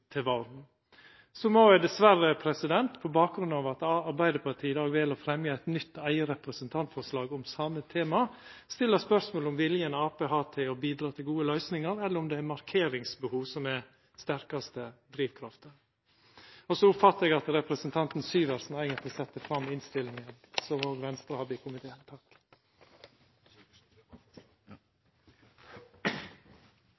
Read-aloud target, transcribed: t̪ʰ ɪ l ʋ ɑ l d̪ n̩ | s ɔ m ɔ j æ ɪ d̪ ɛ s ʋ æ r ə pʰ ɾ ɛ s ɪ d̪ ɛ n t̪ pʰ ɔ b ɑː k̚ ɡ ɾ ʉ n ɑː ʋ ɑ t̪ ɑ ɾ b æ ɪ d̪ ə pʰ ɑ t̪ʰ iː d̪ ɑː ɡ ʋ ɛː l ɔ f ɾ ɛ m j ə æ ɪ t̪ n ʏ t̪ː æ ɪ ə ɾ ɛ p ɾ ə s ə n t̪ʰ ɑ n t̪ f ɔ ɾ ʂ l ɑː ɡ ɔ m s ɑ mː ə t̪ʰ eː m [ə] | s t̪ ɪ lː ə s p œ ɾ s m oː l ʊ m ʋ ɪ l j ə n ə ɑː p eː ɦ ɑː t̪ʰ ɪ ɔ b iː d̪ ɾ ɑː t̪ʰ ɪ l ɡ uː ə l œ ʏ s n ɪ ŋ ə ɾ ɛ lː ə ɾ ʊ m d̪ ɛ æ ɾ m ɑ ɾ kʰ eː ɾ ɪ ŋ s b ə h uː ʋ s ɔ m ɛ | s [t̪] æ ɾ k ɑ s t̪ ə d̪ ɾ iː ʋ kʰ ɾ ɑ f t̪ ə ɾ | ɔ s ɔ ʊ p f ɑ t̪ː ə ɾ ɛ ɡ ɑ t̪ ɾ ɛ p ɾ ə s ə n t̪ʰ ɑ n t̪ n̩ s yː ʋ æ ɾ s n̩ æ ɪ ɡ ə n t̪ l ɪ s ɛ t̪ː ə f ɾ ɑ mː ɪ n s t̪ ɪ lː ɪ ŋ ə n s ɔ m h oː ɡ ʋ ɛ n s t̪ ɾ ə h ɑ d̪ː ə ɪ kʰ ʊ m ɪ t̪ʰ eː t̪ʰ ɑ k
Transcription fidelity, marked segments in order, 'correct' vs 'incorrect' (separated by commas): incorrect, correct